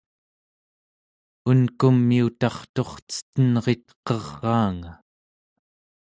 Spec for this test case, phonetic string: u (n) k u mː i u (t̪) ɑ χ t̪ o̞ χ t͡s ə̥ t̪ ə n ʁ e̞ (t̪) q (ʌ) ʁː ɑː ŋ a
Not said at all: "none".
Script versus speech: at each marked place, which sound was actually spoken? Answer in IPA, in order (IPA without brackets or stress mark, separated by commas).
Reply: n, t̪, t̪, ʌ